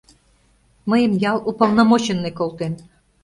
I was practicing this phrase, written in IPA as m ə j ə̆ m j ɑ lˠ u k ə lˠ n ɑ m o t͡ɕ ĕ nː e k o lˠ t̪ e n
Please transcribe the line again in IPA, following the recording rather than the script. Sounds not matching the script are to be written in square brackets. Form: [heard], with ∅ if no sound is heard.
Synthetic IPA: m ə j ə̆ m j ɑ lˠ u [p] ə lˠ n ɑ m o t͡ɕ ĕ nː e k o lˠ t̪ e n